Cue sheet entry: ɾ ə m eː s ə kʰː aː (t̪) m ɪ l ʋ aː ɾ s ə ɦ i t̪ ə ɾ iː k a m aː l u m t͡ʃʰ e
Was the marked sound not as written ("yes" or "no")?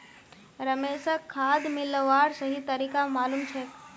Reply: yes